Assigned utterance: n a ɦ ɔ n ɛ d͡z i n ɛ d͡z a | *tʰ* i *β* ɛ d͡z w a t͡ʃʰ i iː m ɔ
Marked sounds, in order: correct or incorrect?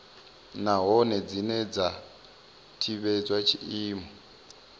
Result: correct, correct

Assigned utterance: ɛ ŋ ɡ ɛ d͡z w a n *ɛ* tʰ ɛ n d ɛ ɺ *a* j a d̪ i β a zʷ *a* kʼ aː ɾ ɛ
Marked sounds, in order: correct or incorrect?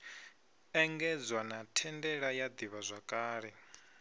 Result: incorrect: a, correct, correct

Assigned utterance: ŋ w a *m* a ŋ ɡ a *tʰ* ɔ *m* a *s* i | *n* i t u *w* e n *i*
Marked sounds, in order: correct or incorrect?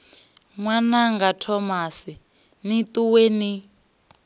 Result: incorrect: n, correct, correct, correct, correct, correct, correct

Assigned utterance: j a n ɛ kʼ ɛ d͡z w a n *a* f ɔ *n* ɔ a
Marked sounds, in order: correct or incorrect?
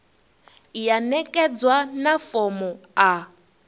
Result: correct, incorrect: m

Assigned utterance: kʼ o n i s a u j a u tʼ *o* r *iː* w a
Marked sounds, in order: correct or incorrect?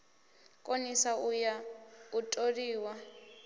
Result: correct, correct

